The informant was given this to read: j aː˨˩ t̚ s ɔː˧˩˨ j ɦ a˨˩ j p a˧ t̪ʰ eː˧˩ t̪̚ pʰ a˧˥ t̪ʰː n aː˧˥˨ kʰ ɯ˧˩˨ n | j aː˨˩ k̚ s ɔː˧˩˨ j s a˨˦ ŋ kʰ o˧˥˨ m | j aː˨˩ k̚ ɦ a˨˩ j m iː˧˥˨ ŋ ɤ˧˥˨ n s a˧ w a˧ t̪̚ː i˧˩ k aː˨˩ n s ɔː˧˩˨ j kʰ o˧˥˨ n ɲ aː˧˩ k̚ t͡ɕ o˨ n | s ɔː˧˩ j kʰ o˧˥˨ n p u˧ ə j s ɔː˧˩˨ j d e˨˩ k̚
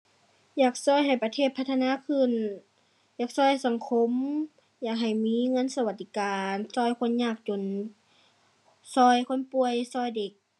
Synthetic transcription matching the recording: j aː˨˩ k̚ s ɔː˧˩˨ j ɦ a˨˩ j p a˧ t̪ʰ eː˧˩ t̪̚ pʰ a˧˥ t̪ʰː n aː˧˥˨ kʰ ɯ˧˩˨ n | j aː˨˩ k̚ s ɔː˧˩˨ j s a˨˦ ŋ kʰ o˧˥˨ m | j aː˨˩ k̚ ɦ a˨˩ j m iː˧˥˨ ŋ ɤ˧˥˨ n s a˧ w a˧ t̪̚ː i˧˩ k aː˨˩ n s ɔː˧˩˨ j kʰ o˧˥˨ n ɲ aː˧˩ k̚ t͡ɕ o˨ n | s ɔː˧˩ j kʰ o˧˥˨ n p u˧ ə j s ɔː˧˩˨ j d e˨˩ k̚